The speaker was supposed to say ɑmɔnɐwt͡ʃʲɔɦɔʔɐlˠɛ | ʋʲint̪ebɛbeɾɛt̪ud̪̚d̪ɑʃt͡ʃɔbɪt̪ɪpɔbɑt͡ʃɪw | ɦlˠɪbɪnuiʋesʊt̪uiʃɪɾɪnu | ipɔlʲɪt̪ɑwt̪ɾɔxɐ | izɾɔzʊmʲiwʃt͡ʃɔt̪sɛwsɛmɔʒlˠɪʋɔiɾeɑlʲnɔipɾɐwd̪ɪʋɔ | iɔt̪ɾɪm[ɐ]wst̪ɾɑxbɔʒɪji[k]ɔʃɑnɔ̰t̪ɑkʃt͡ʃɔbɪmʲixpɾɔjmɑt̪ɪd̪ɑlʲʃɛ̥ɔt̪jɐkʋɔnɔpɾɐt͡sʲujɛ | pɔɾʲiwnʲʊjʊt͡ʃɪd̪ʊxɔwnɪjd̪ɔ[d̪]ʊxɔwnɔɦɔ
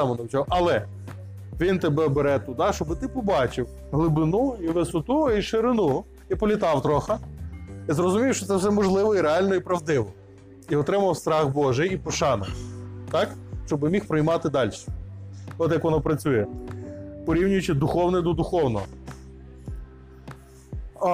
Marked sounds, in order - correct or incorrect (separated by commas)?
correct, incorrect, correct